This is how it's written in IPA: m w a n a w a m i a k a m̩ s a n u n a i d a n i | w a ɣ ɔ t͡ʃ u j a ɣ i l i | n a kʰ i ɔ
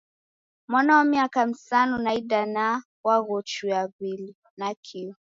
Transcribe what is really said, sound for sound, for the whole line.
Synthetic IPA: m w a n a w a m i a k a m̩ s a n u n a i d a n a | w a ɣ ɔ t͡ʃ u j a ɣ i l i | n a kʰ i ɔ